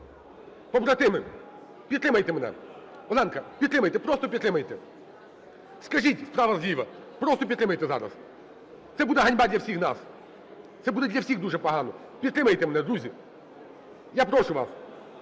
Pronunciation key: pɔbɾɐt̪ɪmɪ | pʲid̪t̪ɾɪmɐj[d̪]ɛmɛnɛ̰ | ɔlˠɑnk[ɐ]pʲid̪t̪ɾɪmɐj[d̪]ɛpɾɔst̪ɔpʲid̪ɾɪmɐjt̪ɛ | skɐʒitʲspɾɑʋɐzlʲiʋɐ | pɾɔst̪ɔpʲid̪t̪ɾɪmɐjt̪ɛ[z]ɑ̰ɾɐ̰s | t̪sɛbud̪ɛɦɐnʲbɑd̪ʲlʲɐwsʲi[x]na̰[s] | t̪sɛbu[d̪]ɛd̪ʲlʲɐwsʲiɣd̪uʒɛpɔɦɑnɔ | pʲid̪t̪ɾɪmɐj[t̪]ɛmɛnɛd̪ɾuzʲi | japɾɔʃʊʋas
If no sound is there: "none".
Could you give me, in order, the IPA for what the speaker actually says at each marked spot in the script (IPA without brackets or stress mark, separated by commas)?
t̪, ɐ, t̪, z, x, s, d̪, t̪